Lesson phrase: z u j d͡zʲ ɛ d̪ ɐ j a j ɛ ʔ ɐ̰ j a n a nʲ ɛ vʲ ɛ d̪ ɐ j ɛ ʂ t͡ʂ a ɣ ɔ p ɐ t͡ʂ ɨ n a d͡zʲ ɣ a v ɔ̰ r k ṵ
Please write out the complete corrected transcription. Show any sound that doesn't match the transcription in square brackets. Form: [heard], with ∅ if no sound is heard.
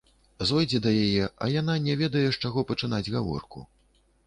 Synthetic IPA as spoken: z [ɔ] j d͡zʲ ɛ d̪ ɐ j a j ɛ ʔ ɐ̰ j a n a nʲ ɛ vʲ ɛ d̪ ɐ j ɛ ʂ t͡ʂ a ɣ ɔ p ɐ t͡ʂ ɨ n a d͡zʲ ɣ a v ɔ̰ r k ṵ